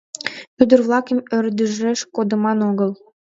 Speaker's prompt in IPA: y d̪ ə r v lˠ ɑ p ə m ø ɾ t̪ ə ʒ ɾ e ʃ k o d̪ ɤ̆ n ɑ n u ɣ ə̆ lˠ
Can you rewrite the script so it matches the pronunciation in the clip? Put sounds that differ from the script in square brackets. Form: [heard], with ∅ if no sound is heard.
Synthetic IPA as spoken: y d̪ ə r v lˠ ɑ [k] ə m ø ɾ [d̪] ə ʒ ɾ e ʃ k o d̪ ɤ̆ [m] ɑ n [o] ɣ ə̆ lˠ